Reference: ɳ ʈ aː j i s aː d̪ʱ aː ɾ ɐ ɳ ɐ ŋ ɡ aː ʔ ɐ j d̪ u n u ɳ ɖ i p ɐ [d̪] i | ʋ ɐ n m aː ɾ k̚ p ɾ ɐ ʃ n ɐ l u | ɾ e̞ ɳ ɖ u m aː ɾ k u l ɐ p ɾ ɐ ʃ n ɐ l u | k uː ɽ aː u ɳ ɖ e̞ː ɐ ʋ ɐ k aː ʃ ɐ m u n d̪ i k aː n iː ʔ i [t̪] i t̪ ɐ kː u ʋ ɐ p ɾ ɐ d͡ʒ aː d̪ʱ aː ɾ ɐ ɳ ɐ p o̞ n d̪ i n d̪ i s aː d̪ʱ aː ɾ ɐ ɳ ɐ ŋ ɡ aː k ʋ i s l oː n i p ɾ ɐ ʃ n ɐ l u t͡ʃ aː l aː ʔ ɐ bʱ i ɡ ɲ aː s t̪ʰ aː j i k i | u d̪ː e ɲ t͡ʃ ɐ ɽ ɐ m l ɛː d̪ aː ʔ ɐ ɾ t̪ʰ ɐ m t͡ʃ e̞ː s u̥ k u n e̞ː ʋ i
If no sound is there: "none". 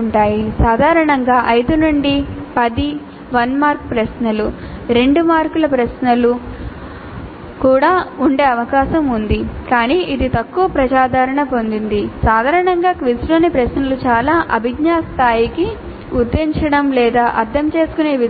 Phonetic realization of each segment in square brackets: d̪, d̪

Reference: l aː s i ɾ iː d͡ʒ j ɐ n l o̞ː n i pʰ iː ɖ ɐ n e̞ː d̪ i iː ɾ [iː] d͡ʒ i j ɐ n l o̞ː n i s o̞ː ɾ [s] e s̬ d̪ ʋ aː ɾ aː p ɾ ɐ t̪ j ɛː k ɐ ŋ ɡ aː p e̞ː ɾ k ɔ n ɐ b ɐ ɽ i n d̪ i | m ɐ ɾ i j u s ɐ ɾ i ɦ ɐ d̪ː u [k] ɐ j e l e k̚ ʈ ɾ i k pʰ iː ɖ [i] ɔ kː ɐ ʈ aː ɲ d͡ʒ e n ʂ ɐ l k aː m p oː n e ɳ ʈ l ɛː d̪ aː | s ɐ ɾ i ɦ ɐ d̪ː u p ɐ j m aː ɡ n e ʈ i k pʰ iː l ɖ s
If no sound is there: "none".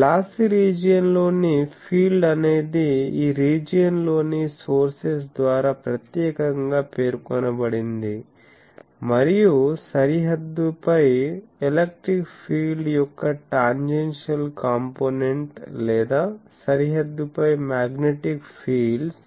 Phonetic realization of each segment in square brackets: iː, s, p, j

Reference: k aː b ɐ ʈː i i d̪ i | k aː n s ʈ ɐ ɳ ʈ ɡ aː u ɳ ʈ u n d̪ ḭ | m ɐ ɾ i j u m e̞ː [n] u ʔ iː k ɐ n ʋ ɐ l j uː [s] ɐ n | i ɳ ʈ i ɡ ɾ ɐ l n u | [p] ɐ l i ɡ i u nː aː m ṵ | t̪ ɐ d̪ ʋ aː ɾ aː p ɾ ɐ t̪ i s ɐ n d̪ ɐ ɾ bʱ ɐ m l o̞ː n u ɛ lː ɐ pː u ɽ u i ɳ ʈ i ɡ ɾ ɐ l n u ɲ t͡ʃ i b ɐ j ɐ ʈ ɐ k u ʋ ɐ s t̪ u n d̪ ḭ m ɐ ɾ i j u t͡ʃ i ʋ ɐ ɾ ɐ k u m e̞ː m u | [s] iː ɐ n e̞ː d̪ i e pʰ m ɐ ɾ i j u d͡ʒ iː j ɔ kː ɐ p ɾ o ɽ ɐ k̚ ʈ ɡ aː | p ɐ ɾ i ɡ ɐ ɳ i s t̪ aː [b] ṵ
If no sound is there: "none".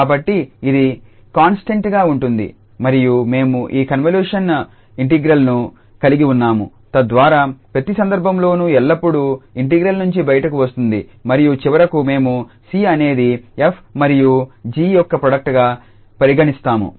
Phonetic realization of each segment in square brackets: m, ʂ, k, s, m

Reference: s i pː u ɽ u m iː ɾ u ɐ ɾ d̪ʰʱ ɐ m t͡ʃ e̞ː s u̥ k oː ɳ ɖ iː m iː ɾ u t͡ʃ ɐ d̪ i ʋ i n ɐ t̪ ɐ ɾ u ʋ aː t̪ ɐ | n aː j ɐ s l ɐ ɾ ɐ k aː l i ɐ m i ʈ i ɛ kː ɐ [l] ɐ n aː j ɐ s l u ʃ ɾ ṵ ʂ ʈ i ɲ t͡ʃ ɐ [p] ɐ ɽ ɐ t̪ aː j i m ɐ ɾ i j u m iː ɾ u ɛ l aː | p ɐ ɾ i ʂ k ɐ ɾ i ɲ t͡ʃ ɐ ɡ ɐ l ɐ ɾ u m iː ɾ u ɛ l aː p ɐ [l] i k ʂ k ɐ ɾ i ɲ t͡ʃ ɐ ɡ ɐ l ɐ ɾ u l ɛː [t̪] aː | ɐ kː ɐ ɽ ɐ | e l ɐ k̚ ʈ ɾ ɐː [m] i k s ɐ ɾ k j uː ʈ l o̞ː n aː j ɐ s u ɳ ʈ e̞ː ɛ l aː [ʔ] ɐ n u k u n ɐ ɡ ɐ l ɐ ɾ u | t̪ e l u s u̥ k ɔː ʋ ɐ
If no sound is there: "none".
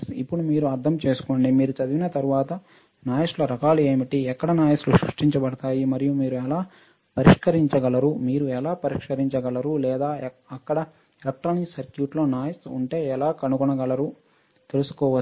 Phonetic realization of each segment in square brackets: ɽ, b, ɾ, d̪, n, k

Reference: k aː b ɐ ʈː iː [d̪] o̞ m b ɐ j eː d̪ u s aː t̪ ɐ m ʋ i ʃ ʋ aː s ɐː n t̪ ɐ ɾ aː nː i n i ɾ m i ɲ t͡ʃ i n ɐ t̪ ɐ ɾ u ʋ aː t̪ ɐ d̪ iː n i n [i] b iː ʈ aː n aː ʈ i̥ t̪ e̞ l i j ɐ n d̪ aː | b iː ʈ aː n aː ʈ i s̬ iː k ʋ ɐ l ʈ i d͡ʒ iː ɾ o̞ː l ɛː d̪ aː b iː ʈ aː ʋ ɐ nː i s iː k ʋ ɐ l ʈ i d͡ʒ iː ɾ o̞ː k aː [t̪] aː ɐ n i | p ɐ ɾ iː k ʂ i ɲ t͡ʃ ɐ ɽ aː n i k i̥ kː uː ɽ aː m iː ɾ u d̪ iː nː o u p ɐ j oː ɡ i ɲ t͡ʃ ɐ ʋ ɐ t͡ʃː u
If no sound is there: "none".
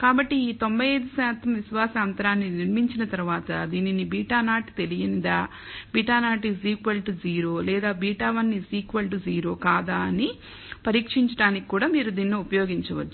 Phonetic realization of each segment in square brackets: t̪, i, d̪

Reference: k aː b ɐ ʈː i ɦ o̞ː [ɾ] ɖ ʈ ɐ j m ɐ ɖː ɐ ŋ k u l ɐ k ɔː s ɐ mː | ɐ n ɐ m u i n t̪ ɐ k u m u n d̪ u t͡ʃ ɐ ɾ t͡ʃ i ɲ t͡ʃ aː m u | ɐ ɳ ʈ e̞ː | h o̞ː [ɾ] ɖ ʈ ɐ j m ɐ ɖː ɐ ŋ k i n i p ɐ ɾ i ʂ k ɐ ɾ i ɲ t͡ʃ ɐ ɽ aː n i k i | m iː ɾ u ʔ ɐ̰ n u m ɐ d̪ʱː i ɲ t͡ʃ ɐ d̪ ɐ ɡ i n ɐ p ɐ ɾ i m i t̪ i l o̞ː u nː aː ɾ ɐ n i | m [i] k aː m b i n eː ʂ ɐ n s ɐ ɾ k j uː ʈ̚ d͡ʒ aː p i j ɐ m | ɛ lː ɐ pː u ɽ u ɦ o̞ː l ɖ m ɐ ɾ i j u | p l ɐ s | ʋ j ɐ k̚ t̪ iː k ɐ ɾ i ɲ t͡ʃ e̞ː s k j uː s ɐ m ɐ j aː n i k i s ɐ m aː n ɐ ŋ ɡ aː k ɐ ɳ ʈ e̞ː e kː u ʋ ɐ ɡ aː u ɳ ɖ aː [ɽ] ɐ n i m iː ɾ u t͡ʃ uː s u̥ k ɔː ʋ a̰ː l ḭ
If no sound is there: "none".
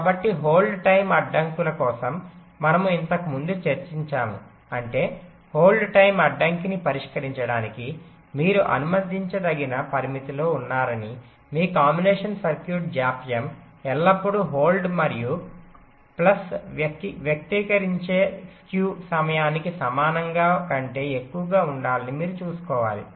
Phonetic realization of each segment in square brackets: l, l, iː, l

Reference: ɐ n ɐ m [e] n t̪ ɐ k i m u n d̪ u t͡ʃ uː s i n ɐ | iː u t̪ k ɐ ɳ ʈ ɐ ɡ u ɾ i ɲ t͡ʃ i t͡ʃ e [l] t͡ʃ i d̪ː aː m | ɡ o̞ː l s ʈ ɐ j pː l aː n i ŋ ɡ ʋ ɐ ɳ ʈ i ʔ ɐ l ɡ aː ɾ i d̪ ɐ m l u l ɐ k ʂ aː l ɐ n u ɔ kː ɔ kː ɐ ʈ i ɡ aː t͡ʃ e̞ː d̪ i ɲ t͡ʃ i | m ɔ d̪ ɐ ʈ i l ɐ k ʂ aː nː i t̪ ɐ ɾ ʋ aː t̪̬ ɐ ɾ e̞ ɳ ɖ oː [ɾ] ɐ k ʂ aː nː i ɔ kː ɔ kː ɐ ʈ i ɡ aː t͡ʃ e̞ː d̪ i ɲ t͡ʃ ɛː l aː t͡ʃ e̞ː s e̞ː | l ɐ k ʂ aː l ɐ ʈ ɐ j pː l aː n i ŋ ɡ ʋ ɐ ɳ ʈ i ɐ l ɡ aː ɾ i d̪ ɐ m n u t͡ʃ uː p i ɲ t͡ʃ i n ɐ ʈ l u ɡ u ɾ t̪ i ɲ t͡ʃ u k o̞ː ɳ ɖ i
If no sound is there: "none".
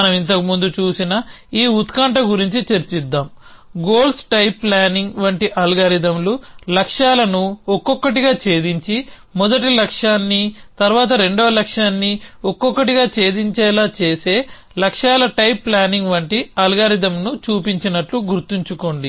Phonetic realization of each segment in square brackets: i, ɾ, l

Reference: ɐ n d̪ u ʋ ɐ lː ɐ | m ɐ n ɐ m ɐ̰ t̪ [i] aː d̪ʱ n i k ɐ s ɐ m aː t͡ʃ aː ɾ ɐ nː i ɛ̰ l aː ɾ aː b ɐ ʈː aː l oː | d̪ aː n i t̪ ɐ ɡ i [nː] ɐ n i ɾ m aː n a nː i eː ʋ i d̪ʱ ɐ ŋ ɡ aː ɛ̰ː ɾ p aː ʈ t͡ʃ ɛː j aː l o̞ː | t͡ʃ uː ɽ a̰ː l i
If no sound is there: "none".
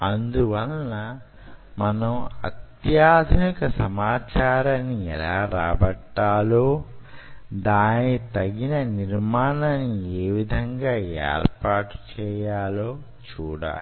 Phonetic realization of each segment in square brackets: j, n

